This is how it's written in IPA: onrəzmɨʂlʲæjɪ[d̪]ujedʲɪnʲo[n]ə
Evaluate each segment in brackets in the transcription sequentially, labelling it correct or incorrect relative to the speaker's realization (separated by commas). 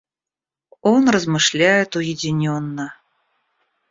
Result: incorrect, incorrect